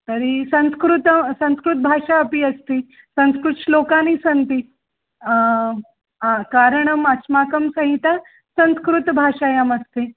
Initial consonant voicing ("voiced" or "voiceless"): voiceless